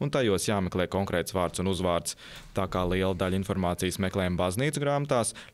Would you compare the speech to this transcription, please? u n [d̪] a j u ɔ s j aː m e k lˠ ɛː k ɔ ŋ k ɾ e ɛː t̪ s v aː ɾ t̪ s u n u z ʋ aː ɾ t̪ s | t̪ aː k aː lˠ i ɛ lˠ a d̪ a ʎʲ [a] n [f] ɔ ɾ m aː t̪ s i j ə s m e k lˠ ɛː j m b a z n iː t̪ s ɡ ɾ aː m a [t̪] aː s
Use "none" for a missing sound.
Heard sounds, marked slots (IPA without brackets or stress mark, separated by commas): t̪, i, f, t̪